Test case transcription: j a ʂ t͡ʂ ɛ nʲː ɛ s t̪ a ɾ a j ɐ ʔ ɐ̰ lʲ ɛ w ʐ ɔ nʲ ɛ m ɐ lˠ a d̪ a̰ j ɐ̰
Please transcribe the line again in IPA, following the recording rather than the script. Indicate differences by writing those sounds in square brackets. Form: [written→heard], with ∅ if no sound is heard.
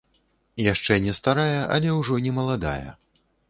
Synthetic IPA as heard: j a ʂ t͡ʂ ɛ [nʲː→nʲ] ɛ s t̪ a ɾ a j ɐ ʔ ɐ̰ lʲ ɛ w ʐ ɔ nʲ ɛ m ɐ lˠ a d̪ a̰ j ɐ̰